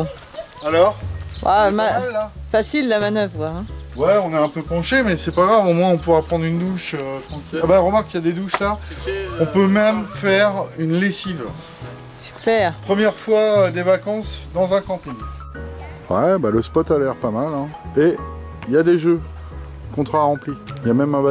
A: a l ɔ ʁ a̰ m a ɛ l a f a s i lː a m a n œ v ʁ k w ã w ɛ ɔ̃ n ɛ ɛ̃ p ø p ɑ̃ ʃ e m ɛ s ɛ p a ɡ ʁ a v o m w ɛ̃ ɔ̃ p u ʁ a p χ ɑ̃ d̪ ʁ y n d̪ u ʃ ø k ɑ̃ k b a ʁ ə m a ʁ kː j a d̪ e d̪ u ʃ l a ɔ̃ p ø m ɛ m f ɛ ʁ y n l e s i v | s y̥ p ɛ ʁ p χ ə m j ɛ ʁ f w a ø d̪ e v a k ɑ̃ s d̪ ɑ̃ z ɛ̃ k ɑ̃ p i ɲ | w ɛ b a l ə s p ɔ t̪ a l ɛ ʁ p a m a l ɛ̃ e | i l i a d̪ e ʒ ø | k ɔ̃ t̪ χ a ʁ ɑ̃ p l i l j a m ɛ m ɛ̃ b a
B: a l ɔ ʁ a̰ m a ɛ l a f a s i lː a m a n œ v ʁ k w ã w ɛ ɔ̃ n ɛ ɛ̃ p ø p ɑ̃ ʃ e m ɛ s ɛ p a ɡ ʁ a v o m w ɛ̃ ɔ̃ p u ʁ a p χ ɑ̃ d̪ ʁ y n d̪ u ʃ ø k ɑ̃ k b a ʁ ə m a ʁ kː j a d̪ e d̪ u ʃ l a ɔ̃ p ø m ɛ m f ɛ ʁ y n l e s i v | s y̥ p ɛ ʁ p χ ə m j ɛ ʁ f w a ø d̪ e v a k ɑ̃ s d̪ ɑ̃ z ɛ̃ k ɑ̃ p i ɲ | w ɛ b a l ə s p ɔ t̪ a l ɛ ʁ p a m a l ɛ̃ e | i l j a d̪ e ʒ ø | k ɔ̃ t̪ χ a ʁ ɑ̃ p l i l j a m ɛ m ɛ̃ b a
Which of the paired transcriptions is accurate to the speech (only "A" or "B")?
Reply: B